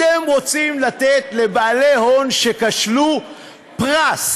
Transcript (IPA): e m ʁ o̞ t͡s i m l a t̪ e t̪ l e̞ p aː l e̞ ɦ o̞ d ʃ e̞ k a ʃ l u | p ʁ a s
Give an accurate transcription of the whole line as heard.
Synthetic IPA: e m ʁ o̞ t͡s i m l a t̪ e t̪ l e̞ b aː l e̞ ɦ o̞ n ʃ e̞ k a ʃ l u | p ʁ a s